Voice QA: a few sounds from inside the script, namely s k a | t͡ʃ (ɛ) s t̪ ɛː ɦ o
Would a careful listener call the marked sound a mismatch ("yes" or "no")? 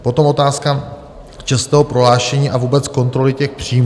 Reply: no